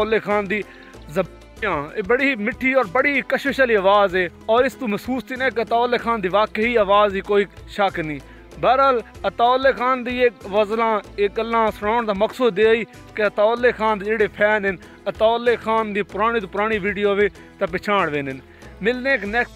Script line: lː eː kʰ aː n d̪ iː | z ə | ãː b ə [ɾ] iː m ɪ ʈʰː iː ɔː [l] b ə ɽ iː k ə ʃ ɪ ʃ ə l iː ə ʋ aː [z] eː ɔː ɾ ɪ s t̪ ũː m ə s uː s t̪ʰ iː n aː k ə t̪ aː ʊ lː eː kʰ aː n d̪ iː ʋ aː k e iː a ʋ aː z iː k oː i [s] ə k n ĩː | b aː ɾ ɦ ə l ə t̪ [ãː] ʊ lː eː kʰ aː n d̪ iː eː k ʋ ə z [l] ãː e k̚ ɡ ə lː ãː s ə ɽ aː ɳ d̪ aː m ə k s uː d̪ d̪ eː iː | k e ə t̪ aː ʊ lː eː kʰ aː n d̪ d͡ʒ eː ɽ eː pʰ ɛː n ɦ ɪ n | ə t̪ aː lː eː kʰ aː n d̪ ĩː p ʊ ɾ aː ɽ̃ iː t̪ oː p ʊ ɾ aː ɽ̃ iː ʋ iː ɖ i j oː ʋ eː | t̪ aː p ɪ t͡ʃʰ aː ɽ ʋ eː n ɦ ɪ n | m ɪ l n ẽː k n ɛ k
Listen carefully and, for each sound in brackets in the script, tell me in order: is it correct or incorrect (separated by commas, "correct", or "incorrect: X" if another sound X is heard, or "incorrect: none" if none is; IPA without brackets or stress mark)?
incorrect: ɽ, incorrect: ɾ, correct, incorrect: ʃ, incorrect: aː, correct